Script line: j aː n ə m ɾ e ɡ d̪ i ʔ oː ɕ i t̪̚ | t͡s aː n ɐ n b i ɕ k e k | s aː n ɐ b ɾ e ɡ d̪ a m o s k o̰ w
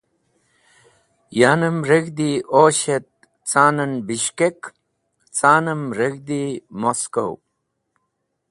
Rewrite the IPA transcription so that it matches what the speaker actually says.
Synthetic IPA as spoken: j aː n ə m ɾ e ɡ d̪ i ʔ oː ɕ e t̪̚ | t͡s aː n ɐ n b i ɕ k e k | t͡s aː n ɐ m ɾ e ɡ d̪ i m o s k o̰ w